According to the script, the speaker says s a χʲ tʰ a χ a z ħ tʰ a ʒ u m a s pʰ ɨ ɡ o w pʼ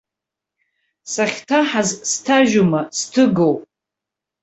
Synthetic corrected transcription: s a χʲ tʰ a ħ a z s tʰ a ʒ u m a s tʰ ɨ ɡ o w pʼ

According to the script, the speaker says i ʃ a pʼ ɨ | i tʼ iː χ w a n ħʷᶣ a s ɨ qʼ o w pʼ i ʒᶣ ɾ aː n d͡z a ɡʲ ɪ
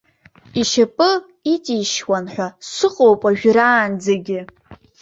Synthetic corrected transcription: i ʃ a pʼ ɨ | i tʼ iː ʃ w a n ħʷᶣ a s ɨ qʼ o w pʼ a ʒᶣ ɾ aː n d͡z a ɡʲ ɪ

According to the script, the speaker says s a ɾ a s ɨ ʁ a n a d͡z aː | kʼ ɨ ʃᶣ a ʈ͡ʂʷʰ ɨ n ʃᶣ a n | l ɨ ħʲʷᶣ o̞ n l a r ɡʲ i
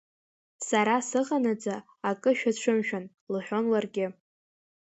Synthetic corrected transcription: s a ɾ a s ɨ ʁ a n a d͡z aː | kʼ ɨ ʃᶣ a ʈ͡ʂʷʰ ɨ m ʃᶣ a n | l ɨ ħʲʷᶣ o̞ n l a r ɡʲ ɪ

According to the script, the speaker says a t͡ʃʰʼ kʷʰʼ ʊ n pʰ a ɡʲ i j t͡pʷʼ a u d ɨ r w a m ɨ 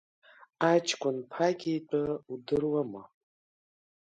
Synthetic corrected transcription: a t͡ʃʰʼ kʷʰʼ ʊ n pʰ a ɡʲ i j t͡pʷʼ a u d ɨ r w a m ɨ

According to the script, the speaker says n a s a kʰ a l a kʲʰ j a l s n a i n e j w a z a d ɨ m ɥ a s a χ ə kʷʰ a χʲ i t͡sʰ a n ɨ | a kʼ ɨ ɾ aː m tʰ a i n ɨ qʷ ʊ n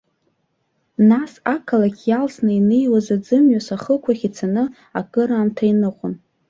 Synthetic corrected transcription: n a s a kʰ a l a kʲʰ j a l s n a i n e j w a z a d͡z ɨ m ɥ a s a χ ə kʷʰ a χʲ i t͡sʰ a n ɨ | a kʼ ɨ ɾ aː m tʰ a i n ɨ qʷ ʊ n

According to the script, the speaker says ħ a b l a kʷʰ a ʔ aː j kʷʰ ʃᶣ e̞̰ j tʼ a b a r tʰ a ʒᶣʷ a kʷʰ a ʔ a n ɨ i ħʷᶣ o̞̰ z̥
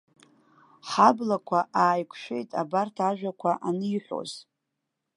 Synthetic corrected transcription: ħ a b l a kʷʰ a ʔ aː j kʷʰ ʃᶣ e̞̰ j tʼ a b a r tʰ a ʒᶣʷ a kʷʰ a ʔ a n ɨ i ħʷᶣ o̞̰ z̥

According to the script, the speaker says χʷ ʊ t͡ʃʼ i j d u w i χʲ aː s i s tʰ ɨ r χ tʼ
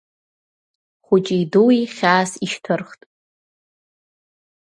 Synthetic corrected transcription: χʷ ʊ t͡ʃʼ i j d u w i χʲ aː s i ʃ tʰ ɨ r χ tʼ

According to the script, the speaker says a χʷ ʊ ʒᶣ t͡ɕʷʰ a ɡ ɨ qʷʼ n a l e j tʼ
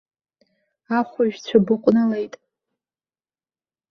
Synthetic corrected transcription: a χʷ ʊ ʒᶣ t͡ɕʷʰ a b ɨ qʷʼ n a l e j tʼ

